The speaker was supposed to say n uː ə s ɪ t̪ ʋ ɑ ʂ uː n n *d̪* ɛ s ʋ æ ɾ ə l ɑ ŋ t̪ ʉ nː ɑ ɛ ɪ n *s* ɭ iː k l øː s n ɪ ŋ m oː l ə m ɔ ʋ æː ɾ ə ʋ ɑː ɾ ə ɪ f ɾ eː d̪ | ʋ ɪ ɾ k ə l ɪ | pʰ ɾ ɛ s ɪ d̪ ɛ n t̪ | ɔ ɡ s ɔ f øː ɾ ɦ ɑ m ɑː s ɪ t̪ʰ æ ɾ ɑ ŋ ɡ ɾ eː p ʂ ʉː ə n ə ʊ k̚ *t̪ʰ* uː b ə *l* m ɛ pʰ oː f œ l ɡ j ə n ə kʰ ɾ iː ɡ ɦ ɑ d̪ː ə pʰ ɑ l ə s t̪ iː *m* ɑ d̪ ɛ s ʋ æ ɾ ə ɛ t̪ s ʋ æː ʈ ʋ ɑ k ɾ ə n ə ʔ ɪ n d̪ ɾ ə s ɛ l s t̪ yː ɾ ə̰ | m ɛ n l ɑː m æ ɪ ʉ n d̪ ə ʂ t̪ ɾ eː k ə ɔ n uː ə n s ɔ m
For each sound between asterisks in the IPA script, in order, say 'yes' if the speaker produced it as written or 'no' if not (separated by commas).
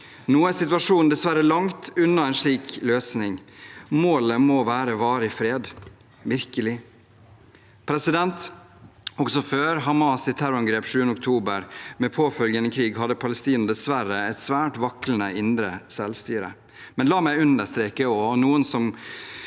yes, no, yes, no, no